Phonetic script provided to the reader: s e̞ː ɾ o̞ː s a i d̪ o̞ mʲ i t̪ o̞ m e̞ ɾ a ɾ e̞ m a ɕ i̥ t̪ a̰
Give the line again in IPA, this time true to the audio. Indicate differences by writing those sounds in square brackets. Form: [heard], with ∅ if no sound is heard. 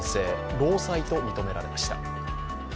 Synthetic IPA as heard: s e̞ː ɾ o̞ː s a i [t̪] o̞ mʲ i t̪ o̞ m e̞ ɾ a ɾ e̞ m a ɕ i̥ t̪ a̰